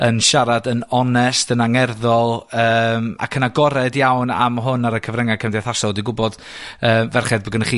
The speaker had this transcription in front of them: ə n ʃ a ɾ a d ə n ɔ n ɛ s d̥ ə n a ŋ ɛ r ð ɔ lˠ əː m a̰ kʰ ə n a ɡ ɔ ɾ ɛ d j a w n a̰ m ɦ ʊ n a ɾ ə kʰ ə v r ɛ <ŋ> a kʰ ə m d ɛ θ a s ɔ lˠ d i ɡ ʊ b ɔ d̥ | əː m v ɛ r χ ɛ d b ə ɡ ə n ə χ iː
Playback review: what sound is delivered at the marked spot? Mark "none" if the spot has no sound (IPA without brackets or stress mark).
ŋ